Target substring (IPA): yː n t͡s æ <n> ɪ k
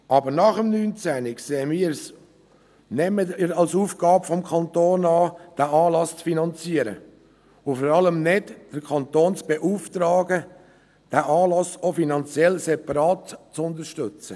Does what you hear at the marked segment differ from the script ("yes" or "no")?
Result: no